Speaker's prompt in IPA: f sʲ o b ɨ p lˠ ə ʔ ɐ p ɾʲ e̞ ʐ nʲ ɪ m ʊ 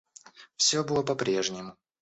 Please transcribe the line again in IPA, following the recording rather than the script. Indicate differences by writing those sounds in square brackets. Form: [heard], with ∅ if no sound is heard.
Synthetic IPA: f sʲ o b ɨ [∅] lˠ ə [p] ɐ p ɾʲ e̞ ʐ nʲ ɪ m ʊ